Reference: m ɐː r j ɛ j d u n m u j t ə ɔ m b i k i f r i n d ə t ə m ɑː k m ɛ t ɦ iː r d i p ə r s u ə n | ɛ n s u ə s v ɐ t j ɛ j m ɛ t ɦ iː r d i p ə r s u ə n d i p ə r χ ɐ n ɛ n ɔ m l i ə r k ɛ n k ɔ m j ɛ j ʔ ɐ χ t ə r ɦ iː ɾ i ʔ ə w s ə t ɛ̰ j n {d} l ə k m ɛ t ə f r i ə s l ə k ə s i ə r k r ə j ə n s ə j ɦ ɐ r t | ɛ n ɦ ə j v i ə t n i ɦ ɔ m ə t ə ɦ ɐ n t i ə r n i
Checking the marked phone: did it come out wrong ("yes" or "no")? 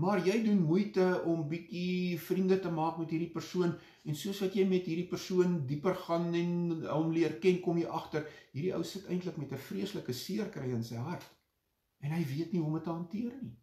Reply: yes